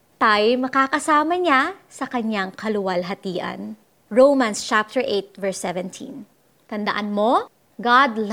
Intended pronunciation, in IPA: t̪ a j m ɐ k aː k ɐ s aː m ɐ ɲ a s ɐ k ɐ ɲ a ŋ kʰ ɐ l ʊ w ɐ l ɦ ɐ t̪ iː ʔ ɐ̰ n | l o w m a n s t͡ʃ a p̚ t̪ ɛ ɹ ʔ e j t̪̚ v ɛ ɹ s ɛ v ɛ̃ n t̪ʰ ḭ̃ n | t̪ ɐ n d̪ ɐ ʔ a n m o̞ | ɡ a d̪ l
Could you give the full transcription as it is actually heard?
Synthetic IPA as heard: t̪ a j m ɐ k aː k ɐ s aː m ɐ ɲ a s ɐ k ɐ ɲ a ŋ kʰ ɐ l ʊ w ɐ l ɦ ɐ t̪ iː ʔ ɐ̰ n | ɹ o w m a n s t͡ʃ a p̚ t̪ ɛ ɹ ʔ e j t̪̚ v ɛ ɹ s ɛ v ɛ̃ n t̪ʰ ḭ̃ n | t̪ ɐ n d̪ ɐ ʔ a n m o̞ | ɡ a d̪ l